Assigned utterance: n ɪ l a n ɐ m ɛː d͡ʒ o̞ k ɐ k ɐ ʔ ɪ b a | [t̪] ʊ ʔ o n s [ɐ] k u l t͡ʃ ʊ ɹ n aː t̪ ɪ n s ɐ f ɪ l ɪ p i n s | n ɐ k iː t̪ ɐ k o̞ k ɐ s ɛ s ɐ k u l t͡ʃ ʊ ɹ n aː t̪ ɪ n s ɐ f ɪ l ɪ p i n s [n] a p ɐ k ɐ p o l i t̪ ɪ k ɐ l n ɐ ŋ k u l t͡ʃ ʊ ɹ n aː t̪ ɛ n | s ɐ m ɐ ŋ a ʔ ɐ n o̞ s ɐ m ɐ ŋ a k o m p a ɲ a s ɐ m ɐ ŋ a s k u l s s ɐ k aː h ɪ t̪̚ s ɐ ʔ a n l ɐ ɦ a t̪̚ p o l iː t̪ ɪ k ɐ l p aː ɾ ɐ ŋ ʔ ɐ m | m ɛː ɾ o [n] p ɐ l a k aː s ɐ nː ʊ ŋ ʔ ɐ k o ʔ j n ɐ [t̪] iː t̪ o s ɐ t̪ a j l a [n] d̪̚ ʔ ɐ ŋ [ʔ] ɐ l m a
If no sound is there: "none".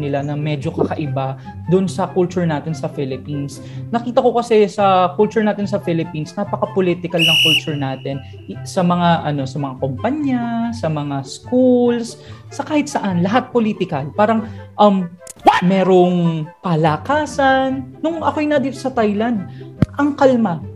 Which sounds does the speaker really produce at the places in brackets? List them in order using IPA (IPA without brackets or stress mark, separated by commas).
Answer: d̪, ɐ, n, ŋ, d̪, n, k